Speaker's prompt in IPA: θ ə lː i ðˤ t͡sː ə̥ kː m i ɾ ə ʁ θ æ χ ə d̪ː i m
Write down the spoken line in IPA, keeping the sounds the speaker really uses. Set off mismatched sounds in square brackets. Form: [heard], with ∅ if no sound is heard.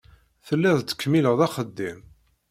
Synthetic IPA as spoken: θ ə lː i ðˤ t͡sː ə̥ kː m i [l] ə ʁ [ð] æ χ ə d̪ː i m